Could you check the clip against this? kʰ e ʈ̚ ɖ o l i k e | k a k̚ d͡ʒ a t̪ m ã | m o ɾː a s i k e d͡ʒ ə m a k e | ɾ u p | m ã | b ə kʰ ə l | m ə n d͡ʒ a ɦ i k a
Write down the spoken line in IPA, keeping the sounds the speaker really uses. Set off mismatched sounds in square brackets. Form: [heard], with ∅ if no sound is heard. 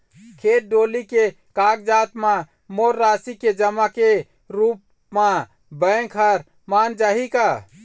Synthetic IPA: kʰ e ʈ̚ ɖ o l i k e | k a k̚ d͡ʒ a t̪ m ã | m o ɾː a s i k e d͡ʒ ə m a k e | ɾ u p | m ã | b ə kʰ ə [ɾ] | m [a] n d͡ʒ a ɦ i k a